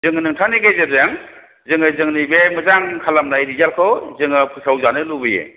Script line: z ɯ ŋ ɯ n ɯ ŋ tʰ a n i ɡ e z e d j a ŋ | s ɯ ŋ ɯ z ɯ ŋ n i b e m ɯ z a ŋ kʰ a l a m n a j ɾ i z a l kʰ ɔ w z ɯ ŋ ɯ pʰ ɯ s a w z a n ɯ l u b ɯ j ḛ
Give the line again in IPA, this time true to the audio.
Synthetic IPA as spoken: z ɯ ŋ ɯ n ɯ ŋ tʰ a n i ɡ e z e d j a ŋ | z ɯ ŋ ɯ z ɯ ŋ n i b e m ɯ z a ŋ kʰ a l a m n a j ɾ i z a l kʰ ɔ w z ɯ ŋ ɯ pʰ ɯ s a w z a n ɯ l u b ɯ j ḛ